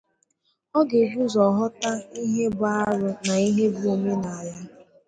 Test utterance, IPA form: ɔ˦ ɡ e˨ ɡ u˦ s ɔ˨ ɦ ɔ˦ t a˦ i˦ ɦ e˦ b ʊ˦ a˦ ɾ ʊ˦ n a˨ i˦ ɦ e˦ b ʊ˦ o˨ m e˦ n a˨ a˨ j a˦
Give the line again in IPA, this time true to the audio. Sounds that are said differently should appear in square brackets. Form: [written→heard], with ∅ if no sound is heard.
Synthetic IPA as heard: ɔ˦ ɡ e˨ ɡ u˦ [s→z] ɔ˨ ɦ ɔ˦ t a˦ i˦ ɦ e˦ b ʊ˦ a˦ ɾ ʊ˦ n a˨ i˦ ɦ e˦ b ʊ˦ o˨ m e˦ n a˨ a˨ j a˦